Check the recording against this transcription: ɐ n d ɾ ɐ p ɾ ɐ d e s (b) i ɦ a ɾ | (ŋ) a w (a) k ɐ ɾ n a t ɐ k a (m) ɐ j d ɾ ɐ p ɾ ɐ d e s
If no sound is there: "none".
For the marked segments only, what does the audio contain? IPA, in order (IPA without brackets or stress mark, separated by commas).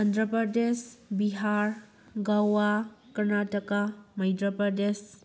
b, ɡ, a, m